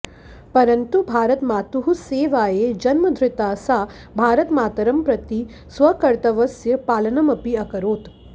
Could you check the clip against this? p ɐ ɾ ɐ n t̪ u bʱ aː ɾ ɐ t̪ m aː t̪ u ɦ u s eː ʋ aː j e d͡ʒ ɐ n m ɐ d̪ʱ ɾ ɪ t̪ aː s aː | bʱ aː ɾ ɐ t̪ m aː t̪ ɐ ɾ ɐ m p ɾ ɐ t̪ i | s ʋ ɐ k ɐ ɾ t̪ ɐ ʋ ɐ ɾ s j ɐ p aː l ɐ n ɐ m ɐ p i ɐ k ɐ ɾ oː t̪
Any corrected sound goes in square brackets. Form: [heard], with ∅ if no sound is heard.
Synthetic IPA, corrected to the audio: p ɐ ɾ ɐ n t̪ u bʱ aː ɾ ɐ t̪ m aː t̪ u ɦ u s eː ʋ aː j e d͡ʒ ɐ n m ɐ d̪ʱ ɾ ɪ t̪ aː s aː | bʱ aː ɾ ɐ t̪ m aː t̪ ɐ ɾ ɐ m p ɾ ɐ t̪ i | s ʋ ɐ k ɐ ɾ t̪ ɐ ʋ ɐ [∅] s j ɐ p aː l ɐ n ɐ m ɐ p i ɐ k ɐ ɾ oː t̪